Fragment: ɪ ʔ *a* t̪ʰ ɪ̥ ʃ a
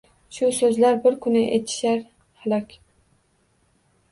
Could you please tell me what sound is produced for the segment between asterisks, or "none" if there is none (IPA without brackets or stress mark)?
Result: e